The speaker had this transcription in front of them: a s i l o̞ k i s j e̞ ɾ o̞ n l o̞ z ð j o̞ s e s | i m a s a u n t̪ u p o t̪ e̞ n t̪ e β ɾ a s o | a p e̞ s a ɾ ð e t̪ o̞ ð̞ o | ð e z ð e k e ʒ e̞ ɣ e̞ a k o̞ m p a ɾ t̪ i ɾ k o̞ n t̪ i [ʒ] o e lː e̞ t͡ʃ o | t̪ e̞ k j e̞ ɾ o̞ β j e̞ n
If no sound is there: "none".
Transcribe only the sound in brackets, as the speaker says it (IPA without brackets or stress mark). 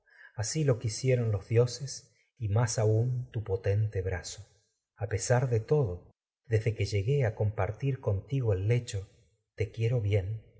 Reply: ɣ